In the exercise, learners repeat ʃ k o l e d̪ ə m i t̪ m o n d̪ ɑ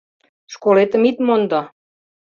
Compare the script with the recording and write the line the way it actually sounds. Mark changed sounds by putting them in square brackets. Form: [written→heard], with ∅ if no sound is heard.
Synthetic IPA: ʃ k o l e [d̪→t̪] ə m i t̪ m o n d̪ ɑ